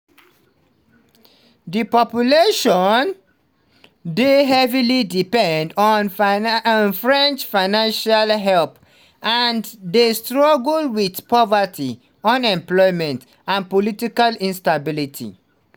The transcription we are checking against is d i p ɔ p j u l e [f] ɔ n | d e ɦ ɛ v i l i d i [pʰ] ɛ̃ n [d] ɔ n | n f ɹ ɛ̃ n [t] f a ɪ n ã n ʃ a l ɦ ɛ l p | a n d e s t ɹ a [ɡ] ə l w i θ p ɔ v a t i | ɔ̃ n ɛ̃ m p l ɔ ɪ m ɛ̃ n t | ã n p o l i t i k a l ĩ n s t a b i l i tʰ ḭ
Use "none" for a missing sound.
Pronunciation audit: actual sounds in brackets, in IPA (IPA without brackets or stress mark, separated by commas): ʃ, p, d, t͡ʃ, ɡ